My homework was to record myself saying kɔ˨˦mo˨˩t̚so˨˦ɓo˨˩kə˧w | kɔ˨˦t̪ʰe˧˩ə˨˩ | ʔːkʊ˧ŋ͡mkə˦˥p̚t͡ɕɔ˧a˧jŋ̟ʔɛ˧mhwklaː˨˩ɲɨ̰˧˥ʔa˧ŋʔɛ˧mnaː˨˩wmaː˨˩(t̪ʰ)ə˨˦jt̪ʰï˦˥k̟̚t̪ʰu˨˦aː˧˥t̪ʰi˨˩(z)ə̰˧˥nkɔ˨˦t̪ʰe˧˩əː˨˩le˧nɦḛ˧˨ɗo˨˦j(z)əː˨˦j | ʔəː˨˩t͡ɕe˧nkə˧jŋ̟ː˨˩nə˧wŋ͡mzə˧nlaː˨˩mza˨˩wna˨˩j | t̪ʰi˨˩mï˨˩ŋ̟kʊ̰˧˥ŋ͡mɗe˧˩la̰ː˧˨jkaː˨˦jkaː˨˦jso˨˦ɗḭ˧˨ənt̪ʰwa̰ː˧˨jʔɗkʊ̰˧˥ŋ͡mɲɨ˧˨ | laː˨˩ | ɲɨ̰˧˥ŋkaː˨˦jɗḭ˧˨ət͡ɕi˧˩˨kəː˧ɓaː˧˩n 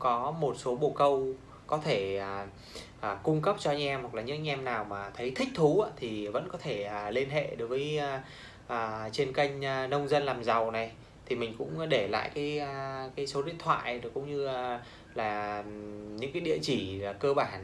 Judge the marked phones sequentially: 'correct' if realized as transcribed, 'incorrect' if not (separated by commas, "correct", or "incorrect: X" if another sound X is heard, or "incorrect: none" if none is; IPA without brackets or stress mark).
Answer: correct, incorrect: v, incorrect: v